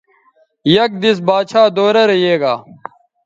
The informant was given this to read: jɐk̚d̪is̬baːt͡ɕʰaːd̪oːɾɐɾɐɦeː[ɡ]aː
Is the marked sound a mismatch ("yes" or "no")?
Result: no